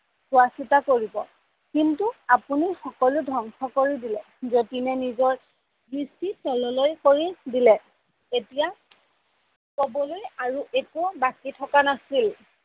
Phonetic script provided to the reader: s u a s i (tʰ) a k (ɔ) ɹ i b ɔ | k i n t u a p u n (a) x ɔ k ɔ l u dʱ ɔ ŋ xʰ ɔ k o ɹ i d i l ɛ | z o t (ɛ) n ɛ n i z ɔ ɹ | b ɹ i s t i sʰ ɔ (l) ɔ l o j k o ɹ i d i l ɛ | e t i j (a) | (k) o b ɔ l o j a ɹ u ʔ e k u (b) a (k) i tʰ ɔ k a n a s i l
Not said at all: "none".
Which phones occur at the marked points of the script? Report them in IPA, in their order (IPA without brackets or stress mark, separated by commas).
t, o, i, i, l, a, k, b, k